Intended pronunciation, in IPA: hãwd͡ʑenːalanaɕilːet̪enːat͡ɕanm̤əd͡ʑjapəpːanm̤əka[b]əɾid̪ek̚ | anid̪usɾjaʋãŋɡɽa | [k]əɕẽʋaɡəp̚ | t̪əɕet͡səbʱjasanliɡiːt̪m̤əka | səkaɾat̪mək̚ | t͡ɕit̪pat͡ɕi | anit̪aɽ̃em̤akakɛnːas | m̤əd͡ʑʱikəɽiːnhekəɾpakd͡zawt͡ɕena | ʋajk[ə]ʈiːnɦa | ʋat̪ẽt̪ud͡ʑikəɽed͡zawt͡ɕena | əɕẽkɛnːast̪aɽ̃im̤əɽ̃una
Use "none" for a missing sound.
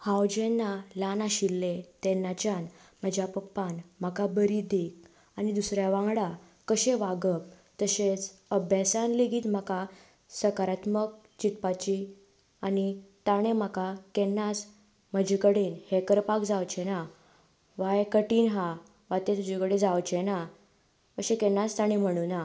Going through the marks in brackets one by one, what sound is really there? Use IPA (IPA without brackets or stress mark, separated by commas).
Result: b, k, ə